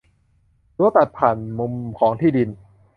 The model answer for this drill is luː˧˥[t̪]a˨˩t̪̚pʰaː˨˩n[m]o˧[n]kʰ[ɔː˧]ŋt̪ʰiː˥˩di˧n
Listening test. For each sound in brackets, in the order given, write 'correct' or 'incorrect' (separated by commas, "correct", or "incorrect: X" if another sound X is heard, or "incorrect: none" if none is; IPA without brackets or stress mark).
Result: correct, correct, incorrect: m, incorrect: ɔː˩˦